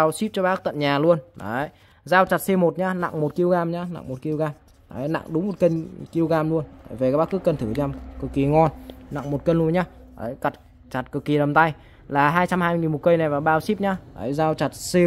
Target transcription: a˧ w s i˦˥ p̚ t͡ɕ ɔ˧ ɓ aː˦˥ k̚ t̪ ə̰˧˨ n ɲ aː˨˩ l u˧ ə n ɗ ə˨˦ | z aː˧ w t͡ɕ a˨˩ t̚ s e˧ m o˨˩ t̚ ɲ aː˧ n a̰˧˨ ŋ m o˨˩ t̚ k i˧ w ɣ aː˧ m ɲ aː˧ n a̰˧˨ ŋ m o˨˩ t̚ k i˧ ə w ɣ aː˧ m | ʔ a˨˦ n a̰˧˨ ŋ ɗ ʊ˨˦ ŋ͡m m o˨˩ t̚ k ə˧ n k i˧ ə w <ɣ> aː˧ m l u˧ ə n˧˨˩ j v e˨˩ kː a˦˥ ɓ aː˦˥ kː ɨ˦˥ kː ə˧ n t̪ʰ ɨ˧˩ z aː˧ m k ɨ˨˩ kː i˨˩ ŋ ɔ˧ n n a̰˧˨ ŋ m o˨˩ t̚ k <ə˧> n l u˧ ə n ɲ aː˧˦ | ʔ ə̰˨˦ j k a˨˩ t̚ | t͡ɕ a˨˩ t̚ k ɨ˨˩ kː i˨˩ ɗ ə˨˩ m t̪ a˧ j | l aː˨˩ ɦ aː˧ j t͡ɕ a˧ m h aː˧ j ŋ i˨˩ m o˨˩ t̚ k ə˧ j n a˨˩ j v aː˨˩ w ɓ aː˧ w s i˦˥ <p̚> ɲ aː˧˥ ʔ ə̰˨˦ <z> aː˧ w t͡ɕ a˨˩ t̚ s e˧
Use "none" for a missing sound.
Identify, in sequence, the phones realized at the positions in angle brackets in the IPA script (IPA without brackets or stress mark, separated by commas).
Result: ɣ, ə˧, p̚, z